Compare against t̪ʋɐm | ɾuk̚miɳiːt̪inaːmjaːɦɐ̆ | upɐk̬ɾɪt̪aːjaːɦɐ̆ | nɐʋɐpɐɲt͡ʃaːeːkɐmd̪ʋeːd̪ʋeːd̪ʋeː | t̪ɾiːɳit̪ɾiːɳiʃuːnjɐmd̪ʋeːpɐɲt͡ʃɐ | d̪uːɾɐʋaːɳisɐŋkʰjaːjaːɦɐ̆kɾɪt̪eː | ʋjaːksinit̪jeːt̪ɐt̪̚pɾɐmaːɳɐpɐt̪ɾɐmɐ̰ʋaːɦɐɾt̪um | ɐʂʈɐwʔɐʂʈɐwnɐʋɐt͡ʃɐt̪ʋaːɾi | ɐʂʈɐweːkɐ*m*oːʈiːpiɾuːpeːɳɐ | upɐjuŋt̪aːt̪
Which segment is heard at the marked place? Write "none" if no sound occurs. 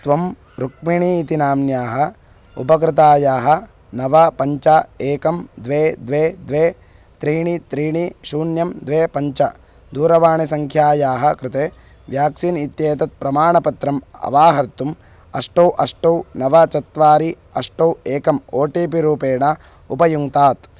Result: m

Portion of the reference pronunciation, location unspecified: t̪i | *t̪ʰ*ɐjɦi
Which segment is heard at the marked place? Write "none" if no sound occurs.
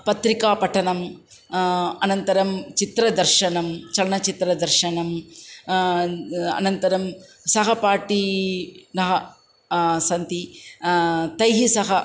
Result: t̪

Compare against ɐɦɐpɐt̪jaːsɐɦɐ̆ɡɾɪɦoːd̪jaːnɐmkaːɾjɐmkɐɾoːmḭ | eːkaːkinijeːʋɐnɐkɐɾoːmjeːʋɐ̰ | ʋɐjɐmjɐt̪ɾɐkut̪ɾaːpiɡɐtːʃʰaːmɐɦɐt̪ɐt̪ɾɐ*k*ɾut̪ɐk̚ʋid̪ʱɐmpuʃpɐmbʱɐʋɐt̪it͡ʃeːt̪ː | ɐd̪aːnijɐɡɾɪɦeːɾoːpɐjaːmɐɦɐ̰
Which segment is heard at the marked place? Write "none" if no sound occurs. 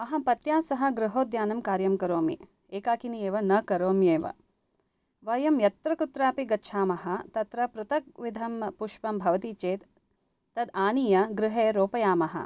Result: p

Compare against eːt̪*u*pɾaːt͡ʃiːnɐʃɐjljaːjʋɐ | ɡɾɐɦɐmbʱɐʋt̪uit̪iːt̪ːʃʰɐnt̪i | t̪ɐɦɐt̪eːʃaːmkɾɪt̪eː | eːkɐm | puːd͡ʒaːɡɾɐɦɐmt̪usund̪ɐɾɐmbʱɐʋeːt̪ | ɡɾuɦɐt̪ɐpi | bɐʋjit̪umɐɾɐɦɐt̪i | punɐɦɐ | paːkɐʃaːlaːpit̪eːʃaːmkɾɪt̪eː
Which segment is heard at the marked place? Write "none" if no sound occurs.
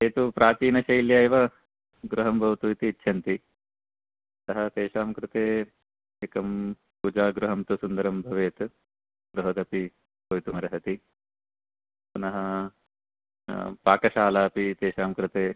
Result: u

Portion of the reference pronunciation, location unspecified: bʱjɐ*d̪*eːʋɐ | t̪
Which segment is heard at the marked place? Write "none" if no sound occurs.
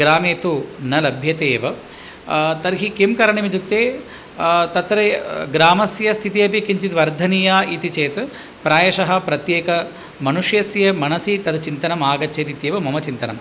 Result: t̪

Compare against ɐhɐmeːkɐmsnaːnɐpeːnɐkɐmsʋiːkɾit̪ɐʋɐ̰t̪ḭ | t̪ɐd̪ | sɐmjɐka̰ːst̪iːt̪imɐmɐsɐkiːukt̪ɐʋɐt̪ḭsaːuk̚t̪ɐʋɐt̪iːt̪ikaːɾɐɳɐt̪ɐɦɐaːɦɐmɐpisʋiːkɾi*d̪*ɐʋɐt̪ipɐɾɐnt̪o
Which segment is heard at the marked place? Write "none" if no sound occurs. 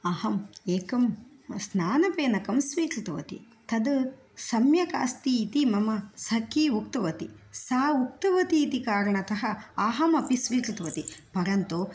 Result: t̪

